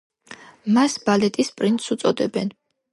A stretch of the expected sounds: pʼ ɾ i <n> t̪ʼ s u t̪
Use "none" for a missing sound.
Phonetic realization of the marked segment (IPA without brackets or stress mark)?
n